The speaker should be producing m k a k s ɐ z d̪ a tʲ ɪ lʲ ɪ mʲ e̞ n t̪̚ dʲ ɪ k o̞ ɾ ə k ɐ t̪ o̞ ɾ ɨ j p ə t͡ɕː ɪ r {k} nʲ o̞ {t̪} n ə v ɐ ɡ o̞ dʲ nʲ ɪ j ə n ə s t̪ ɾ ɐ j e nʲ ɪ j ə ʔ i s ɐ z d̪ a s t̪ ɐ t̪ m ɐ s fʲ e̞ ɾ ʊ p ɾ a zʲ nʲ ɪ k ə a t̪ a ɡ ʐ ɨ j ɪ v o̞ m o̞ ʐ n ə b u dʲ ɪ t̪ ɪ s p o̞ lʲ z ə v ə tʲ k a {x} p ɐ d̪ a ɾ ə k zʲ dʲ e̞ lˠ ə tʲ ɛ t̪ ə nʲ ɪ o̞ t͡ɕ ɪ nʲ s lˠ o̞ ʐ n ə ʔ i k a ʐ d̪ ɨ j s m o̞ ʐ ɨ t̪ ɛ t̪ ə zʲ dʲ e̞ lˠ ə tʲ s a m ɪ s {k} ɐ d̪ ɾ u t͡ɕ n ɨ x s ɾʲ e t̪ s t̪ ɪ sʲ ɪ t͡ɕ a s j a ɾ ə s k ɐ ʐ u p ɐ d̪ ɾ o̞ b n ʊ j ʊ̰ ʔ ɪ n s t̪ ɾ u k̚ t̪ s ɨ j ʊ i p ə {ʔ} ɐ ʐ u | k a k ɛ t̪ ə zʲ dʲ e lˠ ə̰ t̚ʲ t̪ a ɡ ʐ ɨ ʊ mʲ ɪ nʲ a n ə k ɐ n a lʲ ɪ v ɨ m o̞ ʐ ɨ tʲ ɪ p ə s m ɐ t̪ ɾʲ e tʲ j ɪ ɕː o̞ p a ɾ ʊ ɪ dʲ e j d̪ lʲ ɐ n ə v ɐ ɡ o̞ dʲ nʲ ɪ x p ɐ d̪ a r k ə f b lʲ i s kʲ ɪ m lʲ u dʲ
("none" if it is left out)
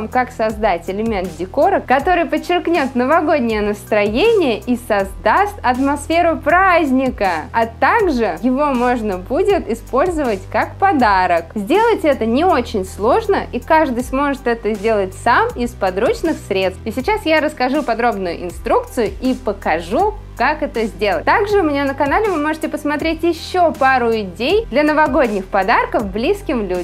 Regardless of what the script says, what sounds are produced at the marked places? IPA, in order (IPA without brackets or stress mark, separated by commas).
k, t̪, k, p, k